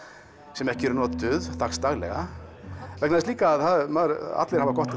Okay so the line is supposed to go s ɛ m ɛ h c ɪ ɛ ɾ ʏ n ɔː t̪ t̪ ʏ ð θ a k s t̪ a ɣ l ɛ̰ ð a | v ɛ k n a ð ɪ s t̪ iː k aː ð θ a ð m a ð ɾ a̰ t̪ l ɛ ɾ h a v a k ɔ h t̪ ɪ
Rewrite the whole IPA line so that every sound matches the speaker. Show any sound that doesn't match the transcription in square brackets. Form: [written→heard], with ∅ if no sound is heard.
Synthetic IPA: s ɛ m ɛ h c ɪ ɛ ɾ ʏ n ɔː t̪ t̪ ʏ ð θ a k s t̪ a ɣ l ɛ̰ [ð→ɣ] a | v ɛ k n a ð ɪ s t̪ iː k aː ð θ a ð m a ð ɾ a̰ t̪ l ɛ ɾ h a v a k ɔ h t̪ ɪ